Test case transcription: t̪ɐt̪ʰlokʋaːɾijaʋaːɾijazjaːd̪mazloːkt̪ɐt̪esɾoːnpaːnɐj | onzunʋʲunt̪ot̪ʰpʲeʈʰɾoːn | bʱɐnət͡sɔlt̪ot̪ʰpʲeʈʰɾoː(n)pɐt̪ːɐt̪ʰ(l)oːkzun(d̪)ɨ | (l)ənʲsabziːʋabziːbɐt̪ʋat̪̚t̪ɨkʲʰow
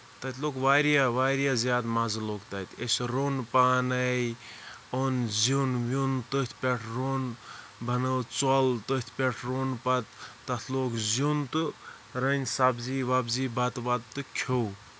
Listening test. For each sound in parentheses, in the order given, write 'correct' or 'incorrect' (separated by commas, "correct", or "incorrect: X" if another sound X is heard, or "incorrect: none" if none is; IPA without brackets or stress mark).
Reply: correct, correct, incorrect: t̪, incorrect: ɾ